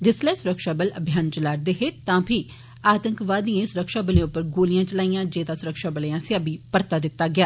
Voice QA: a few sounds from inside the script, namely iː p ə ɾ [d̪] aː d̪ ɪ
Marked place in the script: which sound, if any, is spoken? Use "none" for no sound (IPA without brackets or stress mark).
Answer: t̪